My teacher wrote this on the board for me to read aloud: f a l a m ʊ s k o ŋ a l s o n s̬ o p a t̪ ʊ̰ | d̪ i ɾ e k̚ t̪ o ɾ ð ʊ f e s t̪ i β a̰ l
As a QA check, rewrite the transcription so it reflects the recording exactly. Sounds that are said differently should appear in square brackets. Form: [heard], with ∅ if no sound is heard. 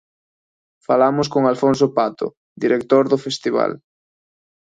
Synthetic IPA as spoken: f a l a m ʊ s k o ŋ a l [f] o n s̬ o p a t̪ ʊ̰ | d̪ i ɾ e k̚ t̪ o ɾ ð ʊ f e s t̪ i β a̰ l